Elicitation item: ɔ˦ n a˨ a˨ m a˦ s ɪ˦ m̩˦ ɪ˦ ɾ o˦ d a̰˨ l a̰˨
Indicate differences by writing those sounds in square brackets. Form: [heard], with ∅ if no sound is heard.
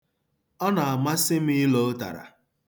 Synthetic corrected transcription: ɔ˦ n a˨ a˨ m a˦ s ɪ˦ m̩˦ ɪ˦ [l] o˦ [t] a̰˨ [ɾ] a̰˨